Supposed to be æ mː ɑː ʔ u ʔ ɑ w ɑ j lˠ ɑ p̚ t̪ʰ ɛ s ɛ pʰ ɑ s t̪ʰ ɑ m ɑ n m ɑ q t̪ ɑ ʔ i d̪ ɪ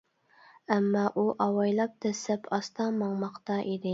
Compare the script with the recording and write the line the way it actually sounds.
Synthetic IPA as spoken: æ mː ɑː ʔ u ʔ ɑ w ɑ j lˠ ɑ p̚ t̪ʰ ɛ s ɛ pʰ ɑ s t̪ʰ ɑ m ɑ ŋ m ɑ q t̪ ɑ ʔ i d̪ ɪ